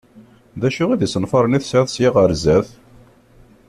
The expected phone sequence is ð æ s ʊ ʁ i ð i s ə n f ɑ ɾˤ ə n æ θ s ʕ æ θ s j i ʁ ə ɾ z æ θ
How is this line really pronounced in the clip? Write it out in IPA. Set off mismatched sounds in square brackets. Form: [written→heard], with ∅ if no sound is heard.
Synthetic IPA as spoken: ð æ [s→ʃ] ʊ ʁ i ð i s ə n f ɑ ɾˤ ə n [æ→i] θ s ʕ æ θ s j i ʁ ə ɾ z æ θ